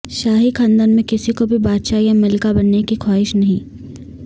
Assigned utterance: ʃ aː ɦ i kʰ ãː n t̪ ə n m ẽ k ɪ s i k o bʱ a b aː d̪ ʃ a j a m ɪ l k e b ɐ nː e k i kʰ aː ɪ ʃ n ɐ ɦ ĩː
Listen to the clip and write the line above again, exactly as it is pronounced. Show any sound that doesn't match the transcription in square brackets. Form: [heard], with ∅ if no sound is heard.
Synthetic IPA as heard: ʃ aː ɦ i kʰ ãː n [d̪] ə n m ẽ k ɪ s i k o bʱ [i] b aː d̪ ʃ a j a m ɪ l k [a] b ɐ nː e k i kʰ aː ɪ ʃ n ɐ ɦ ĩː